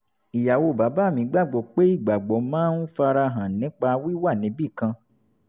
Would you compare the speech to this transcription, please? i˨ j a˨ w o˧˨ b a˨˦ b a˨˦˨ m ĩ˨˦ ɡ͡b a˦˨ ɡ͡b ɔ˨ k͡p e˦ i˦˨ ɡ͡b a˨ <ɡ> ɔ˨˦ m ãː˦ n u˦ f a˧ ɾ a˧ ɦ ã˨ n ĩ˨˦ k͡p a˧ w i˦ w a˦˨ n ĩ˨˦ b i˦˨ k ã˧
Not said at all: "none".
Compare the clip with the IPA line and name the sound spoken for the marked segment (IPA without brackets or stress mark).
ɡ͡b